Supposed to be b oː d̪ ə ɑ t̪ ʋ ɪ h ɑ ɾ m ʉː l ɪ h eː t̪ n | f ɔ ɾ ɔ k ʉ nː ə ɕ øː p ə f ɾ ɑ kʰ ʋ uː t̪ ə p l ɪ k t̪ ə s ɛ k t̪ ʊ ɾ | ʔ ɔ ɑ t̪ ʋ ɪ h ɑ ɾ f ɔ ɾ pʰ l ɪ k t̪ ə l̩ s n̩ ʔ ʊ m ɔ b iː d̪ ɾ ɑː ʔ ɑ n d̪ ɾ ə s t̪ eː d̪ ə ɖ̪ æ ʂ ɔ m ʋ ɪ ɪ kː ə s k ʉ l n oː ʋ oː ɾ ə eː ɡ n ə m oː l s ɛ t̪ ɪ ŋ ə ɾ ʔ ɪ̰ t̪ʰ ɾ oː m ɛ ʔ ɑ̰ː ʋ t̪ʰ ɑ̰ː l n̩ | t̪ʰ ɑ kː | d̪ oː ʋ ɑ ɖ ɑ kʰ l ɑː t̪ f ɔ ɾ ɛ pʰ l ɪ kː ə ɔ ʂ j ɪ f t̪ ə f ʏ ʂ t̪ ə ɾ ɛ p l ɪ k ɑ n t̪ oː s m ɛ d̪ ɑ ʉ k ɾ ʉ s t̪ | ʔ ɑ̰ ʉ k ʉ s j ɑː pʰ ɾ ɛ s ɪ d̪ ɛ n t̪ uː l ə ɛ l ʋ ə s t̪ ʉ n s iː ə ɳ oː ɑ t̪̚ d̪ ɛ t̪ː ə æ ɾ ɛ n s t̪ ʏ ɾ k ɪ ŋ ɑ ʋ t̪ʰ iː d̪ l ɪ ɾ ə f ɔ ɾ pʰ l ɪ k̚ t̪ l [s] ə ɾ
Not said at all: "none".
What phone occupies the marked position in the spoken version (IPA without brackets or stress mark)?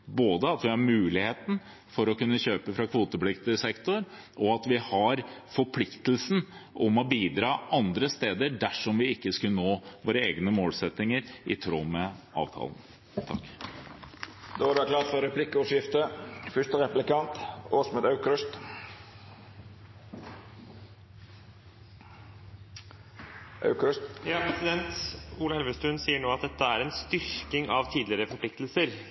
s